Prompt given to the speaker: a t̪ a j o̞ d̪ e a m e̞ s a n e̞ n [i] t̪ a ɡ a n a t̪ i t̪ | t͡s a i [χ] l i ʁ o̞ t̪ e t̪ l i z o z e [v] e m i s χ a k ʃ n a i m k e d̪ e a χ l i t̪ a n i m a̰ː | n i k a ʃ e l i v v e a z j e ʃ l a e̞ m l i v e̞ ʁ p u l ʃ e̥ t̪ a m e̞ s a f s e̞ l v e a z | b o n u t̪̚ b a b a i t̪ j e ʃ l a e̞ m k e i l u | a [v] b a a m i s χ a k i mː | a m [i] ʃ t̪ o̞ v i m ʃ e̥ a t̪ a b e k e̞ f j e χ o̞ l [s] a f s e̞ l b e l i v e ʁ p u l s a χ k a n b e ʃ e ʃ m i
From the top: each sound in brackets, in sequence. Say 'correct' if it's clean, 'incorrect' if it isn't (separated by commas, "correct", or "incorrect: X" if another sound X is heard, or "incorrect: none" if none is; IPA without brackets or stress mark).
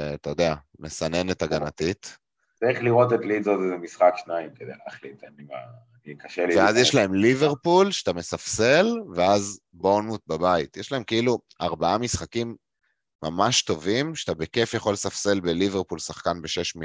incorrect: e, correct, incorrect: z, incorrect: ʁ, incorrect: a, correct